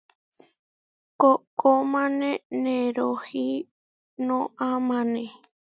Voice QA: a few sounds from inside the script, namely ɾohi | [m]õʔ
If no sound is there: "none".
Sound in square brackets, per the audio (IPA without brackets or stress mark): n